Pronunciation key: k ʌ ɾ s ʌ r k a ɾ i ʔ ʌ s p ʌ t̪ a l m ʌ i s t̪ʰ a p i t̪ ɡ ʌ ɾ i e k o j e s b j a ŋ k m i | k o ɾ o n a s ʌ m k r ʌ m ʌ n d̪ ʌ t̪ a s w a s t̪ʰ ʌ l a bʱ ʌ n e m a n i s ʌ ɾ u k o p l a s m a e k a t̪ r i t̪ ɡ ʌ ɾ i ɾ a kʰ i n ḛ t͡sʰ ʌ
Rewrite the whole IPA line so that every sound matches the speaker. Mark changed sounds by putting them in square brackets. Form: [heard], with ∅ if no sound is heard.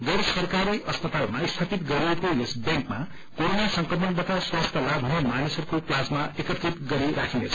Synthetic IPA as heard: [ɡ] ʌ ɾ s ʌ r k a ɾ i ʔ ʌ s p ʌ t̪ a l m [a] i s t̪ʰ a p i t̪ ɡ ʌ ɾ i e k o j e s b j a ŋ k m [a] | k o ɾ o n a s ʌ [ŋ] k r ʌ m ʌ n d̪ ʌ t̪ a s w a s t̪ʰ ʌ l a bʱ ʌ n e m a n i s ʌ ɾ u k o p l a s m a e k [ʌ] t̪ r i t̪ ɡ ʌ ɾ i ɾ a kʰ i n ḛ t͡sʰ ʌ